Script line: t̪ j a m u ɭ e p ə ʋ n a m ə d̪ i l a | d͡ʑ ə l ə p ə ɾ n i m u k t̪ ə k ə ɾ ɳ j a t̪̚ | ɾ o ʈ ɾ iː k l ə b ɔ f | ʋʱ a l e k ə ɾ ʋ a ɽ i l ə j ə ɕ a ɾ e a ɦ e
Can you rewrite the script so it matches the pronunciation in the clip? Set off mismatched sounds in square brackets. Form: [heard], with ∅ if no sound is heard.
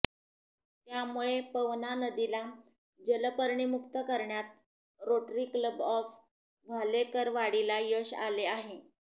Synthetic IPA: t̪ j a m u ɭ e p ə ʋ n a [n] ə d̪ i l a | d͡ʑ ə l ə p ə ɾ [ɳ] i m u k t̪ ə k ə ɾ ɳ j a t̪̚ | ɾ o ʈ ɾ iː k l ə b ɔ f | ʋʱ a l e k ə ɾ ʋ a ɽ i l [a] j ə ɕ a [l] e a ɦ e